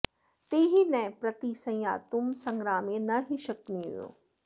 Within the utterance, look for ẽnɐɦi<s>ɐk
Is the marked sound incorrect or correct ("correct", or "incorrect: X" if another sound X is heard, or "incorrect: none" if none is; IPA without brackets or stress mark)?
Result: incorrect: ʃ